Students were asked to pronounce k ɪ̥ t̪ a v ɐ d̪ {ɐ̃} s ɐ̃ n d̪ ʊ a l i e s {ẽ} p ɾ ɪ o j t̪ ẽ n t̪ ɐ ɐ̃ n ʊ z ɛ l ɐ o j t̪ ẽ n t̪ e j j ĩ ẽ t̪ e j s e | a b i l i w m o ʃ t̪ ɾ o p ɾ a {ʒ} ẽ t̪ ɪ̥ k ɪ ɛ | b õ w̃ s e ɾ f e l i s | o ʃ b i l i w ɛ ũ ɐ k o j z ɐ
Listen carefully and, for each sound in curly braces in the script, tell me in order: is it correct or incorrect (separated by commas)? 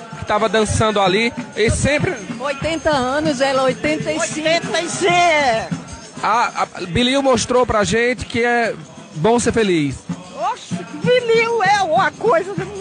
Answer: correct, correct, correct